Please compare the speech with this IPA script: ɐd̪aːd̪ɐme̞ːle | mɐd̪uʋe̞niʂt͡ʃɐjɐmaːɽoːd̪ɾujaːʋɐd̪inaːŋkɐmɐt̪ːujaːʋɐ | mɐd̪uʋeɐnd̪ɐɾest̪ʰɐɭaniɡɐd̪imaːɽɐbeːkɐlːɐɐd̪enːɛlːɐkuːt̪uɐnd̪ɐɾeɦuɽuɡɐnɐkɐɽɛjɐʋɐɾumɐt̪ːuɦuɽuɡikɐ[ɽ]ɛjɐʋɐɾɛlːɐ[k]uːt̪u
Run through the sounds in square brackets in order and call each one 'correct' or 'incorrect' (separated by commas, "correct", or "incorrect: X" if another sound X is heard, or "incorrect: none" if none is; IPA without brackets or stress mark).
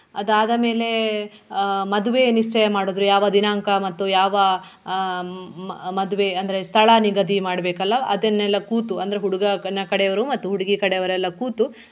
correct, correct